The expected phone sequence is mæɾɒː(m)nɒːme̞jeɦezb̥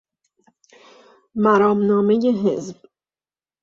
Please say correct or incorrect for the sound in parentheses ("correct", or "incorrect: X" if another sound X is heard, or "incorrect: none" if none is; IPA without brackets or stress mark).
correct